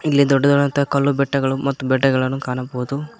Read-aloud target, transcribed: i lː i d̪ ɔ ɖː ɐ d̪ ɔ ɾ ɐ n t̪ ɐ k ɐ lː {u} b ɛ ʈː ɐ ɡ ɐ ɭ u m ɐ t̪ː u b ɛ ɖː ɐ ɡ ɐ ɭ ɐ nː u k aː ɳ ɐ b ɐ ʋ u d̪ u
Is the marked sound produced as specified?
yes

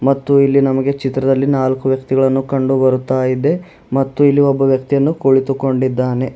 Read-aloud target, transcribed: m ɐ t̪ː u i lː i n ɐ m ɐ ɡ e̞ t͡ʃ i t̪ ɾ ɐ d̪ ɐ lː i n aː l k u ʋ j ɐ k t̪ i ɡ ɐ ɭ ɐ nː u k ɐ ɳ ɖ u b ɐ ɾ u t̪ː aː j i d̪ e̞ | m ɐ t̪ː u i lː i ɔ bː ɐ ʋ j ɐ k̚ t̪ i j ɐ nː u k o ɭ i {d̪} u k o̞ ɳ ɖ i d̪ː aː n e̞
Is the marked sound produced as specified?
no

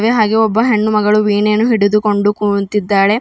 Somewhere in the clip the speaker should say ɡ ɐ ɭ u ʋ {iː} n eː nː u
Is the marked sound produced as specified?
yes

